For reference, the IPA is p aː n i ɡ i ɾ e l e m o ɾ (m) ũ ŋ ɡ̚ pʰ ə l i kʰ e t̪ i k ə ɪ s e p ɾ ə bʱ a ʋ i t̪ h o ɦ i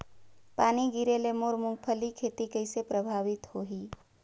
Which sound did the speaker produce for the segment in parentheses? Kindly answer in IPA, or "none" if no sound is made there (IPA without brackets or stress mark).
m